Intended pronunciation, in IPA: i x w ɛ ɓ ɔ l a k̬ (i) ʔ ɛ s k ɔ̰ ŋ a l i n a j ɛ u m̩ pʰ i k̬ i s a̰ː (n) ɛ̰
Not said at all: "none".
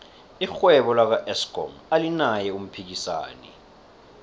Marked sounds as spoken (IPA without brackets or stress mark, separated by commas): a, n